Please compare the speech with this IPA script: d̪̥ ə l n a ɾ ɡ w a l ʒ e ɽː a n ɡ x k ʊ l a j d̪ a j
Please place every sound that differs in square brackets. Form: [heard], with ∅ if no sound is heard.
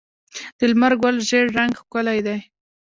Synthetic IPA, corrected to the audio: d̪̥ ə l [m] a ɾ ɡ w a l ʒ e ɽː a [ŋ] ɡ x k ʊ l a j d̪ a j